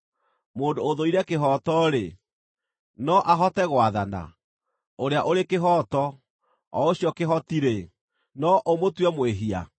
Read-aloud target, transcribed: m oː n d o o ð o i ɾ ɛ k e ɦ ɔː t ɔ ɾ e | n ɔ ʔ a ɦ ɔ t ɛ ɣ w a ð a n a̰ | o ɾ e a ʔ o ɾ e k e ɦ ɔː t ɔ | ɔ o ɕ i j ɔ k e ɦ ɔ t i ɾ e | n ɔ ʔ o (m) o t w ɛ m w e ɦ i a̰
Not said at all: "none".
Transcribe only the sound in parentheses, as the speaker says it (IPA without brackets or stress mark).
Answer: m